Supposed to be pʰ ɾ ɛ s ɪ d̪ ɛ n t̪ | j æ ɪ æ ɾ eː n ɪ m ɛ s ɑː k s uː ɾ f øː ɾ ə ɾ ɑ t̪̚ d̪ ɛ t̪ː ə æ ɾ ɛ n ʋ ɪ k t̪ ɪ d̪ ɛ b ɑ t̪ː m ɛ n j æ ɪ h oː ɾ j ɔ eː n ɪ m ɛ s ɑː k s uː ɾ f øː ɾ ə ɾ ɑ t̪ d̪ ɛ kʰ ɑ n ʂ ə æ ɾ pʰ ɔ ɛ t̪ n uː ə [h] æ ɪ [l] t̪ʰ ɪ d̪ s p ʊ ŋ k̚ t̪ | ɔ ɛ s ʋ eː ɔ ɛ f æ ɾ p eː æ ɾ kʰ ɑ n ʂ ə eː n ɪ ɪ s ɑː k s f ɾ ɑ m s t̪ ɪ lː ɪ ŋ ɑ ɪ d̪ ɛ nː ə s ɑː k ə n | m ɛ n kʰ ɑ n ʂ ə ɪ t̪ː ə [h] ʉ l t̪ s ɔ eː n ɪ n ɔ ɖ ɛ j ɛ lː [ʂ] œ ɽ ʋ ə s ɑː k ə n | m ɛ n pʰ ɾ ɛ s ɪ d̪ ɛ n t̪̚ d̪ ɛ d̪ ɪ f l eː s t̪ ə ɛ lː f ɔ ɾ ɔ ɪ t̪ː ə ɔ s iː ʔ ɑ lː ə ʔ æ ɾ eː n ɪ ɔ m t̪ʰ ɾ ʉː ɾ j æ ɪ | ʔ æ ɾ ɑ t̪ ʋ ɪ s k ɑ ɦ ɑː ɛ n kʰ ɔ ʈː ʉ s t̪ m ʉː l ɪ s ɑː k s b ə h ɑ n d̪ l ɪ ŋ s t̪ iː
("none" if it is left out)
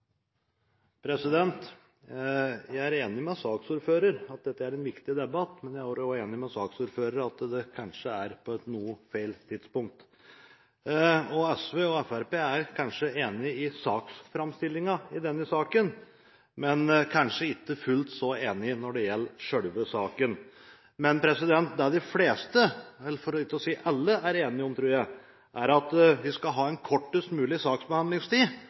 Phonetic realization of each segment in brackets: f, l, f, ʂ

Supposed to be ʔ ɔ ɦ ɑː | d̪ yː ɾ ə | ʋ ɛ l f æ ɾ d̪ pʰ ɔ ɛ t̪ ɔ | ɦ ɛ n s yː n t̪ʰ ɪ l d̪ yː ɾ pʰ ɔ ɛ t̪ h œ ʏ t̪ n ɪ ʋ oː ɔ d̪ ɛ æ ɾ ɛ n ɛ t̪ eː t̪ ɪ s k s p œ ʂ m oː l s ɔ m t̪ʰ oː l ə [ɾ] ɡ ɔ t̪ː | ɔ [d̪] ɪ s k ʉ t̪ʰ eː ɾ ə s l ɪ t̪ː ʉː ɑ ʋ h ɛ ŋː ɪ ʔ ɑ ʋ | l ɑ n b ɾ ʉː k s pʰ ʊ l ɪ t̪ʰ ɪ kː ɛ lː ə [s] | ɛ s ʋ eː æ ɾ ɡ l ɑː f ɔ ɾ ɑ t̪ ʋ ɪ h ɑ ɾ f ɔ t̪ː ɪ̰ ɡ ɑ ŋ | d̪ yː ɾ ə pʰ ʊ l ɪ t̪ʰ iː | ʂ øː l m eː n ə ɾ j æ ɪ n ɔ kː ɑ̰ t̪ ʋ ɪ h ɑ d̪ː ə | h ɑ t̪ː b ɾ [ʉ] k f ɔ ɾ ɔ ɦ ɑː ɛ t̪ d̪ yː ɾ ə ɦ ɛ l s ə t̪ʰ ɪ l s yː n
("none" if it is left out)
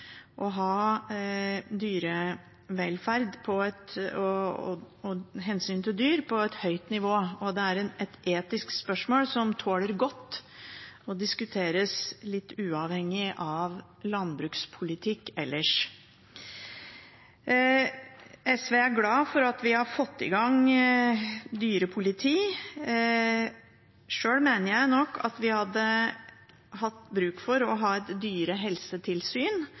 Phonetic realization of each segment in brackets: ɾ, d̪, ʂ, ʉː

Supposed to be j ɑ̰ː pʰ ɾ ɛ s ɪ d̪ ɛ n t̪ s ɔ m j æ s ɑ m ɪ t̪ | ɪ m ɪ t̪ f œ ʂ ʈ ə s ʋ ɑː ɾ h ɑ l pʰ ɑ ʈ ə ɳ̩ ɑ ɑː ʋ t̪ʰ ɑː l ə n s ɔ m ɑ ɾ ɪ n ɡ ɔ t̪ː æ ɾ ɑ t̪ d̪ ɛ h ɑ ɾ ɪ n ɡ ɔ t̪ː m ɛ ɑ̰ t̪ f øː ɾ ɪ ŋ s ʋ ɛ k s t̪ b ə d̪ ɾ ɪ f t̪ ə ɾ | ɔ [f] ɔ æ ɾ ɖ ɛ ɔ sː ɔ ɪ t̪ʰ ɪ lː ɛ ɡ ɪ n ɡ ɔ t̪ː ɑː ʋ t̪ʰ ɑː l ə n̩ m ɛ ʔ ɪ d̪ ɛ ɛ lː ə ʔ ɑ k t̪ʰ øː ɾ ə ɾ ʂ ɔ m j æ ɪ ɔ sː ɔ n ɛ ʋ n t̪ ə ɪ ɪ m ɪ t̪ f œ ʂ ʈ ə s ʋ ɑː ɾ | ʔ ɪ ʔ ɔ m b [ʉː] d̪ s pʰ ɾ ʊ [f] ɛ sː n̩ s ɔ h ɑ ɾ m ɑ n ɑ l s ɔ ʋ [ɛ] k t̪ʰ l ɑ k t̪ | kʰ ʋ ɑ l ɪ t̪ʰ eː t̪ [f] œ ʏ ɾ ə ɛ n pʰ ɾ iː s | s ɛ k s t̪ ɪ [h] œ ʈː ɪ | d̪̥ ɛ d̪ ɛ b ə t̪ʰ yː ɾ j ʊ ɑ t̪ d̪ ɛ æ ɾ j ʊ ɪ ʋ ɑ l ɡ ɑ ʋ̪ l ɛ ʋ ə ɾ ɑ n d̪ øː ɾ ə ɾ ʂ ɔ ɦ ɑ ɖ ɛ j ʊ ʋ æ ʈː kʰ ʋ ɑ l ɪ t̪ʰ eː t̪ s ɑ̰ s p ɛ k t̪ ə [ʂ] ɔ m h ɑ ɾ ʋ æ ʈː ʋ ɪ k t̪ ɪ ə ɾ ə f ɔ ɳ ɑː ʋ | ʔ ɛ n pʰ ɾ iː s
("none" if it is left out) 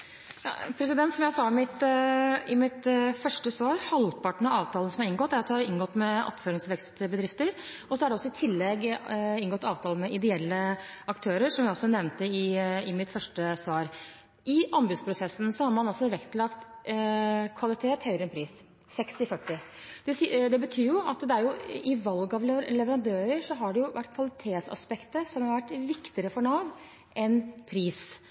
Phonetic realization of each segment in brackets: s, ʉ, s, ɛ, h, f, s

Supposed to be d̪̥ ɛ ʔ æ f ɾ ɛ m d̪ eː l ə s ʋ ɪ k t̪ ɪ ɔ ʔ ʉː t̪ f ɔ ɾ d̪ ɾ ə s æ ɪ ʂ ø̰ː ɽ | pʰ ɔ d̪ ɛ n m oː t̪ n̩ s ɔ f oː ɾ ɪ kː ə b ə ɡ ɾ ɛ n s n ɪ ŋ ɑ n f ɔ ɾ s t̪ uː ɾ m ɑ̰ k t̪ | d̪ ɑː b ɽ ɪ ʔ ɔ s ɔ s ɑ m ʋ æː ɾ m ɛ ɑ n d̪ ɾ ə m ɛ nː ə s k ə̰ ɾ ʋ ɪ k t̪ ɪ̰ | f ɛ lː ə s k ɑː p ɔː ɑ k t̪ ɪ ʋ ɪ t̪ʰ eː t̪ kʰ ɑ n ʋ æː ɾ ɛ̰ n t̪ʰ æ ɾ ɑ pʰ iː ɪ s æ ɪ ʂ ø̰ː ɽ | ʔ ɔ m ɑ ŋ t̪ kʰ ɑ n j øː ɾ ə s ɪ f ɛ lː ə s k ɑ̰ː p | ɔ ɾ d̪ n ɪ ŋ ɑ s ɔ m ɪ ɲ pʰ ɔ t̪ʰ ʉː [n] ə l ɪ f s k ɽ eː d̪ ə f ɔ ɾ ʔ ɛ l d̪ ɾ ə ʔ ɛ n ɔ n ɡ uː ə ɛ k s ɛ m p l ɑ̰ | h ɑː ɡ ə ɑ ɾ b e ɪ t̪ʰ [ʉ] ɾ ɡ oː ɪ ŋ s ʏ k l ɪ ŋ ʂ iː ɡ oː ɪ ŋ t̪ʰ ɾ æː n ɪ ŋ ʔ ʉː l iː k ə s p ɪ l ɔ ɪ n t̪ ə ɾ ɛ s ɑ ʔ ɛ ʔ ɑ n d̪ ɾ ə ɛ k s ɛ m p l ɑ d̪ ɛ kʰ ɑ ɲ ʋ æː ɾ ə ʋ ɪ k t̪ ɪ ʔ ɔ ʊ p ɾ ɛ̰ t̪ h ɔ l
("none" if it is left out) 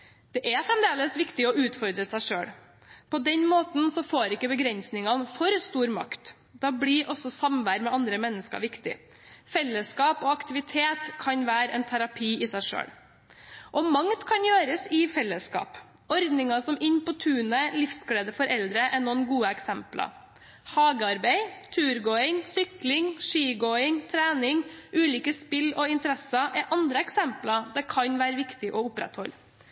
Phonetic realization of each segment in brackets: n, ʉː

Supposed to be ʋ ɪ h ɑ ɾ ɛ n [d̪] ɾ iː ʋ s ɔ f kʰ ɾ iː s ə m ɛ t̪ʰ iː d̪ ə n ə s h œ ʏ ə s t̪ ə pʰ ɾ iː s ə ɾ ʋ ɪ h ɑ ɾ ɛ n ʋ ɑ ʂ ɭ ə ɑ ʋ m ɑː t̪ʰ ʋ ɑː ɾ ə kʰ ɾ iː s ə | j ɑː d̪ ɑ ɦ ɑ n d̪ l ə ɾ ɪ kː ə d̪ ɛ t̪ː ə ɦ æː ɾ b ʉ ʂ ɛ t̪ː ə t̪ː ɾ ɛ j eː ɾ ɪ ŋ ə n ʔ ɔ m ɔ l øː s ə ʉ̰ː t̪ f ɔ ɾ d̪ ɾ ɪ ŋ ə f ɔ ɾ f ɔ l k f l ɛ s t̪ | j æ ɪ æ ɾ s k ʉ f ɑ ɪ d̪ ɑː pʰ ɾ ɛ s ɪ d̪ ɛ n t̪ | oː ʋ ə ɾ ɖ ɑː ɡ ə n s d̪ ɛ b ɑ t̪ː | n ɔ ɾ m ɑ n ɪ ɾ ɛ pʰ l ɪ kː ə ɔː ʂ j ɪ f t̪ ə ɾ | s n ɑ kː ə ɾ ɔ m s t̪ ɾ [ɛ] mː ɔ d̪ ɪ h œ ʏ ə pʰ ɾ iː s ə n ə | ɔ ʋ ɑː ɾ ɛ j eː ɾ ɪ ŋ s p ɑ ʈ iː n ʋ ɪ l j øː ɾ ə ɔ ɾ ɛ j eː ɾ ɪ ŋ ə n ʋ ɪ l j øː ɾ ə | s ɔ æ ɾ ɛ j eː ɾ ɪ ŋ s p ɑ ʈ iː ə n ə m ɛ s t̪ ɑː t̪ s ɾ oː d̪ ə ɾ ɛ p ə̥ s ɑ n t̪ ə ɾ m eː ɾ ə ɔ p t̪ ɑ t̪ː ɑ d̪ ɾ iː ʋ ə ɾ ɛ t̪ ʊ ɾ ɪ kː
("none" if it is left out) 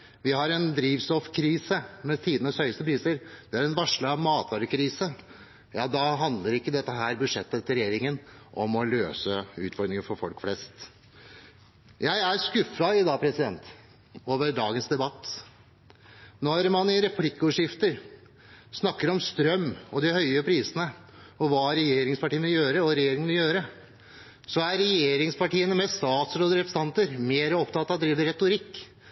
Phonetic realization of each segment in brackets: d̪, œ

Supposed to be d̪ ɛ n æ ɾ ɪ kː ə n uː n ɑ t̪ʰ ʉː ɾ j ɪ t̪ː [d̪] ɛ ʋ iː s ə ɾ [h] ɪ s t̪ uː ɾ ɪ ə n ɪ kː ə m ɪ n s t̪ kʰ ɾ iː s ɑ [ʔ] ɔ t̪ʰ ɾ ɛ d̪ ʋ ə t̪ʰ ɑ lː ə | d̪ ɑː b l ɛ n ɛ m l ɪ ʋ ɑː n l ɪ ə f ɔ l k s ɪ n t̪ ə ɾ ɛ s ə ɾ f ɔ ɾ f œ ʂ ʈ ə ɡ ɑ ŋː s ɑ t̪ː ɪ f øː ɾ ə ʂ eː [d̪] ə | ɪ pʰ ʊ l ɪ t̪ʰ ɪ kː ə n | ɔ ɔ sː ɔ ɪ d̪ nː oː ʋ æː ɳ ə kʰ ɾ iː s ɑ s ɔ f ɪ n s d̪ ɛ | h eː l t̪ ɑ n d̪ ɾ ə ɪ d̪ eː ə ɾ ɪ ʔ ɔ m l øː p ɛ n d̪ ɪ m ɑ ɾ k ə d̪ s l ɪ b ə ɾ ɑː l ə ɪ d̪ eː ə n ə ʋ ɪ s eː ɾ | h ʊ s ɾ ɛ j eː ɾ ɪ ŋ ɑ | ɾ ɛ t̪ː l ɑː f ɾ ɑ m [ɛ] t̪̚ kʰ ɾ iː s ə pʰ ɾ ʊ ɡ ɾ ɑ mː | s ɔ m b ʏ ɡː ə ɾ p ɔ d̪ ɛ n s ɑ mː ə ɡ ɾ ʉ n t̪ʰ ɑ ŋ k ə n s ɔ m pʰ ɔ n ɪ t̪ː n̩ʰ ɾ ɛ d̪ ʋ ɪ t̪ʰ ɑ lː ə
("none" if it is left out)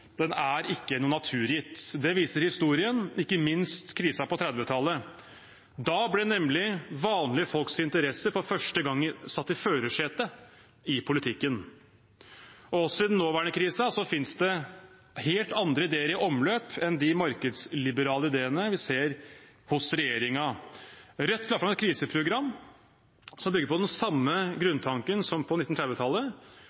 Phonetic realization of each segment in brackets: d̪, h, p, t̪, ɛ

